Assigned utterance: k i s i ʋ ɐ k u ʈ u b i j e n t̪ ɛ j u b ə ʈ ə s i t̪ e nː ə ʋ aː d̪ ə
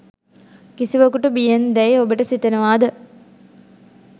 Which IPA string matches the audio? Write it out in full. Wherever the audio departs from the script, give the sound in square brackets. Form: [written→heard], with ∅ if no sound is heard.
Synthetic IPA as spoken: k i s i ʋ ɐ k u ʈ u b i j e n [t̪→d̪] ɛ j [u→o] b ə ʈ ə s i t̪ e [nː→n] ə ʋ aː d̪ ə